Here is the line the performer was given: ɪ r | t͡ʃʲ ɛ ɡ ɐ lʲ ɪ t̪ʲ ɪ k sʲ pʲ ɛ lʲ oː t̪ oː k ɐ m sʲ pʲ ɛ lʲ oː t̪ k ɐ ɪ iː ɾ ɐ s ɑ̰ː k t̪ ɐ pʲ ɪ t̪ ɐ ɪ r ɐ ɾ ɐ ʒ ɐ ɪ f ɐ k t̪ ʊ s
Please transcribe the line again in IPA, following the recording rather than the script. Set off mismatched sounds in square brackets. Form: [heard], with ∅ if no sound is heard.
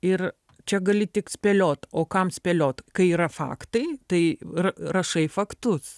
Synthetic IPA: ɪ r | t͡ʃʲ ɛ ɡ ɐ lʲ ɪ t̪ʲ ɪ k sʲ pʲ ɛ lʲ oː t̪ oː k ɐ m sʲ pʲ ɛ lʲ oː t̪ k ɐ ɪ iː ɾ ɐ [f] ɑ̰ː k t̪ ɐ [∅] ɪ t̪ ɐ ɪ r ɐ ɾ ɐ [ʃ] ɐ ɪ f ɐ k t̪ ʊ s